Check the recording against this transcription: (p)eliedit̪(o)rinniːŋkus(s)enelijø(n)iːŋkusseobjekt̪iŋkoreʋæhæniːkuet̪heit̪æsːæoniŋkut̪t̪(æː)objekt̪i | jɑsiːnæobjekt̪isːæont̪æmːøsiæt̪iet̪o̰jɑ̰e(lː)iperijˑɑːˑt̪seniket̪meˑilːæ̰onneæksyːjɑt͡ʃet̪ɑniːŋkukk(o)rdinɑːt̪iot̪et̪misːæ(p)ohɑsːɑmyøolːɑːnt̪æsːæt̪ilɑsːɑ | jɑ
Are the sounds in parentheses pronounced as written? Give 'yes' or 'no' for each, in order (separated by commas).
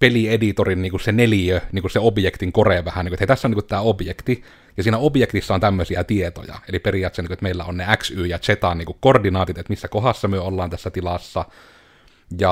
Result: yes, yes, yes, yes, yes, no, yes, no